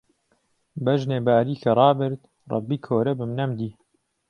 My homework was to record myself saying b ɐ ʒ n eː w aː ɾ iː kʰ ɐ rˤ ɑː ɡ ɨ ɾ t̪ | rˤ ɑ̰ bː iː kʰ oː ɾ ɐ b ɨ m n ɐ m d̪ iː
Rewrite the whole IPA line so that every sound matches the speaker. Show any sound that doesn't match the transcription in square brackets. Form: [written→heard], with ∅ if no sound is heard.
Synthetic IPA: b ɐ ʒ n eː [w→b] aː ɾ iː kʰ ɐ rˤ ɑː [ɡ→b] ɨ ɾ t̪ | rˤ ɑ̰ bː iː kʰ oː ɾ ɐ b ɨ m n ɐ m d̪ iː